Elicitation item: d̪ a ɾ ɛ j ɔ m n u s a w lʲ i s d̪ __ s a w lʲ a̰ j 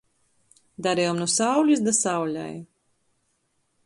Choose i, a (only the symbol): a